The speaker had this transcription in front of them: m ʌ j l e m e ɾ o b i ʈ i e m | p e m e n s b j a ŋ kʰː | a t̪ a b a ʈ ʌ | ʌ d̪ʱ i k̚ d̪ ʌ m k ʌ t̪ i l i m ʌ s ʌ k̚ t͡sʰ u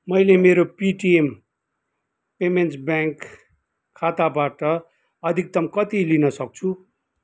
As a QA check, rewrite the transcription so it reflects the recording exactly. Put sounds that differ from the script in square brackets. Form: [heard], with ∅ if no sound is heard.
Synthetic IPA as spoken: m ʌ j l e m e ɾ o [p] i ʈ i e m | p e m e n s b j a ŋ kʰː | a t̪ a b a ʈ ʌ | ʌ d̪ʱ i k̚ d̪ ʌ m k ʌ t̪ i l i [n] ʌ s ʌ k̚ t͡sʰ u

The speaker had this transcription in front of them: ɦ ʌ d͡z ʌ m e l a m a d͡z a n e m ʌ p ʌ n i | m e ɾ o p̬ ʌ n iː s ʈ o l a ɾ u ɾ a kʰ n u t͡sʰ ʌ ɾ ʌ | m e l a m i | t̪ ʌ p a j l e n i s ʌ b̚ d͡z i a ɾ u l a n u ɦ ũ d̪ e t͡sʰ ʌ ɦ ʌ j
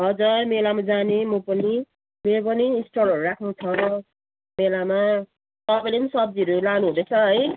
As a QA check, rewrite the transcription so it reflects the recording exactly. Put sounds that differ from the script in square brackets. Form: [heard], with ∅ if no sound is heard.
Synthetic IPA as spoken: ɦ ʌ d͡z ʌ m e l a m a d͡z a n e m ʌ p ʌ n i | m e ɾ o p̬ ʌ n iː s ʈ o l [ʌ] ɾ u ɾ a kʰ n u t͡sʰ ʌ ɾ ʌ | m e l a m [a] | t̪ ʌ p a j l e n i s ʌ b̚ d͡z i [ʌ] ɾ u l a n u ɦ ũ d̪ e t͡sʰ ʌ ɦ ʌ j

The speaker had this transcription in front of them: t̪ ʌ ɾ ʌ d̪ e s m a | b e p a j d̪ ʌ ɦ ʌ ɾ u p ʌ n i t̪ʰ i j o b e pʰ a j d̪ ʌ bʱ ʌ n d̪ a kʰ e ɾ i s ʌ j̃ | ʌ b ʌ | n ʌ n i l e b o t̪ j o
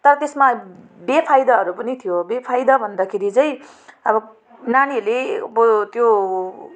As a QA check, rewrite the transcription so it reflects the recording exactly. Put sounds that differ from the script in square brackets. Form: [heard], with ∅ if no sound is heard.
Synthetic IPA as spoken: t̪ ʌ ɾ ʌ [t̪] e s m a | b e [pʰ] a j d̪ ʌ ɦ ʌ ɾ u p ʌ n i t̪ʰ i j o b e pʰ a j d̪ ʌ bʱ ʌ n d̪ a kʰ e ɾ i [t͡s] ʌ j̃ | ʌ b ʌ | n [a] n i l e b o t̪ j o

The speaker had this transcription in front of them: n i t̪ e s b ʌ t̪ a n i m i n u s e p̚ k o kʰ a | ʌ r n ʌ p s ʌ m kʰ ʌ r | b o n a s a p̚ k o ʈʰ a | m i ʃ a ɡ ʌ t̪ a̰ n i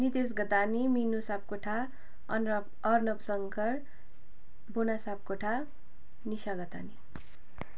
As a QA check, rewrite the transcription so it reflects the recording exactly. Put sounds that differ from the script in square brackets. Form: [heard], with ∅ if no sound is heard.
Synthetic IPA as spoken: n i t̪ e s [ɡ] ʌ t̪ a n i m i n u s [a] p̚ k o [ʈʰ] a | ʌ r n ʌ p s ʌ [ŋ] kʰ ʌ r | b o n a s a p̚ k o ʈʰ a | [n] i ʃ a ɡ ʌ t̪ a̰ n i

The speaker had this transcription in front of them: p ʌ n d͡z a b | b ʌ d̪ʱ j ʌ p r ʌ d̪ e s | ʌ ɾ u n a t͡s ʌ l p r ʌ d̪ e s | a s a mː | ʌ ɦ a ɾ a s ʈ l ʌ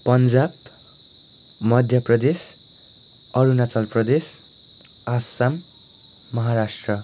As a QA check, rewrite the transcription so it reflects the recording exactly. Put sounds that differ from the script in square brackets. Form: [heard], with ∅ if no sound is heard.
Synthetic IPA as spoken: p ʌ n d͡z a b | [m] ʌ d̪ʱ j ʌ p r ʌ d̪ e s | ʌ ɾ u n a t͡s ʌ l p r ʌ d̪ e s | a s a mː | ʌ ɦ a ɾ a s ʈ [r] ʌ

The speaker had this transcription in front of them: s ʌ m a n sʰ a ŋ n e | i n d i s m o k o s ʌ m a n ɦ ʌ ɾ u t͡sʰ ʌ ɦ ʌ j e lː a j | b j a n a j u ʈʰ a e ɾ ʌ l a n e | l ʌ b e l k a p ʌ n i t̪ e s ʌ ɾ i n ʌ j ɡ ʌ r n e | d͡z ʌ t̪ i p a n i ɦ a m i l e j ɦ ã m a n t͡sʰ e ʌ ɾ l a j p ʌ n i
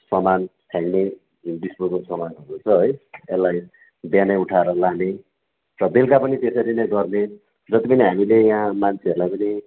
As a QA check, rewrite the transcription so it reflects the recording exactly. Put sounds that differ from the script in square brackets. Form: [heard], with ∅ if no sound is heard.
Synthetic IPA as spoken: s ʌ m a n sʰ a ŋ n e | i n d i s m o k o s ʌ m a n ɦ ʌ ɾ u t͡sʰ ʌ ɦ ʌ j e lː a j | b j a n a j u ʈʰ a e ɾ ʌ l a n e | [r] ʌ b e l k a p ʌ n i t̪ e s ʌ ɾ i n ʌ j ɡ ʌ r n e | d͡z ʌ t̪ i p [ʌ] n i ɦ a m i l e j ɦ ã m a n t͡sʰ e ʌ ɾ l a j p ʌ n i

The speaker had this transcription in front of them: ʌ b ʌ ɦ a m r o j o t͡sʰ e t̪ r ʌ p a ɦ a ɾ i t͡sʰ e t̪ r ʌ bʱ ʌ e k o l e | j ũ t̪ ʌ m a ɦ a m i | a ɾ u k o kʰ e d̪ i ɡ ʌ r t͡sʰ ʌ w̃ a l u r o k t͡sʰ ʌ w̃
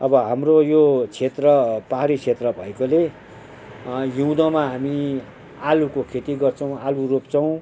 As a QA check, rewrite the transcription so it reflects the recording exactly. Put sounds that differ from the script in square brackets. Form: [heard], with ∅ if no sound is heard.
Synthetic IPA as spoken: ʌ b ʌ ɦ a m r o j o t͡sʰ e t̪ r ʌ p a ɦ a ɾ i t͡sʰ e t̪ r ʌ bʱ ʌ e k o l e | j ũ [d̪] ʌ m a ɦ a m i | a [l] u k o kʰ e [t̪] i ɡ ʌ r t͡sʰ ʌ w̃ a l u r o [p] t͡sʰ ʌ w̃

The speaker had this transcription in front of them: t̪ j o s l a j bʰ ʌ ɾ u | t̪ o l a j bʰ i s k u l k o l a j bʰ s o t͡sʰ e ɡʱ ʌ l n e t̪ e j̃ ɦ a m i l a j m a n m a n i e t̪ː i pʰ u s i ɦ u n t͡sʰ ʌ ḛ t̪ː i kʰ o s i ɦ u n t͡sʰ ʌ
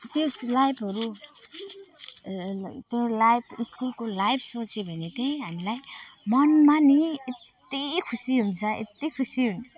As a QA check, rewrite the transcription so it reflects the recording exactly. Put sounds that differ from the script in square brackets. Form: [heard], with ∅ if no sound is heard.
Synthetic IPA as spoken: t̪ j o s l a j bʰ ʌ ɾ u | t̪ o l a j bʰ i s k u l k o l a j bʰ s o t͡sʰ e [bʱ] ʌ [∅] n e t̪ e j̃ ɦ a m i l a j m [ʌ] n m a n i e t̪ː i [kʰ] u s i ɦ u n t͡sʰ ʌ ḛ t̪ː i kʰ [u] s i ɦ u n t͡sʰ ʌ

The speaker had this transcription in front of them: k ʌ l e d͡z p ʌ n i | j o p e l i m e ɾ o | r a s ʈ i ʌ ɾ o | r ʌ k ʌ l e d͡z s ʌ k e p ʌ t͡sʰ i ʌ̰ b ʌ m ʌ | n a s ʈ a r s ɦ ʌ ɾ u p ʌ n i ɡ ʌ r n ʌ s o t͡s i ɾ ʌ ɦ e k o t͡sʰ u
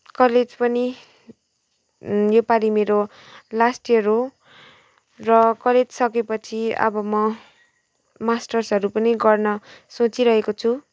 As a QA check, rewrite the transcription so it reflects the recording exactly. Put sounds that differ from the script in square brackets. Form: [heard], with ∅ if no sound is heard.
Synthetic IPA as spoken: k ʌ l e d͡z p ʌ n i | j o p [a] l i m e ɾ o | [l] a s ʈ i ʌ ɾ o | r ʌ k ʌ l e d͡z s ʌ k e p ʌ t͡sʰ i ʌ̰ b ʌ m ʌ | [m] a s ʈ [ʌ] r s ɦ ʌ ɾ u p ʌ n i ɡ ʌ r n ʌ s o t͡s i ɾ ʌ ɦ e k o t͡sʰ u

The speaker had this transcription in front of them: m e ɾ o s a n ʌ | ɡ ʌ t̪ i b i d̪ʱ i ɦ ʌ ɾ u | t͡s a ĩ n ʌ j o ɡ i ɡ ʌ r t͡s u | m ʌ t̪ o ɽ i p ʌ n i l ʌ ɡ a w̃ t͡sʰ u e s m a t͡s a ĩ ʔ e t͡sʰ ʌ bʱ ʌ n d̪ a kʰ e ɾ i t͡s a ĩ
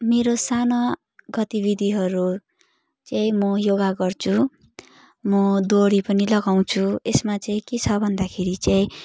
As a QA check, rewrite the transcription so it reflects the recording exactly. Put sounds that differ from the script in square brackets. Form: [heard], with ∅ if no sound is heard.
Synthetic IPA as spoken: m e ɾ o s a n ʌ | ɡ ʌ t̪ i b i d̪ʱ i ɦ ʌ ɾ u | t͡s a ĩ [m] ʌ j o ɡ [a] ɡ ʌ r [t͡sʰ] u | m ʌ [d̪] o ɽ i p ʌ n i l ʌ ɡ a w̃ t͡sʰ u e s m a t͡s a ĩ [k] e t͡sʰ ʌ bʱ ʌ n d̪ a kʰ e ɾ i t͡s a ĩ

